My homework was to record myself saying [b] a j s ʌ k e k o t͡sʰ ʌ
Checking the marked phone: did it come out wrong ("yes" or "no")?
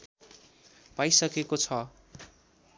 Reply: yes